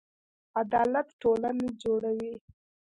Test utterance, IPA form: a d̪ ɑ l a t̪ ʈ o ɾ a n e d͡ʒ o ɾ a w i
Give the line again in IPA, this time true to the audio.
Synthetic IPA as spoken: a d̪ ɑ l a t̪ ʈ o l a n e d͡ʒ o ɽ a w i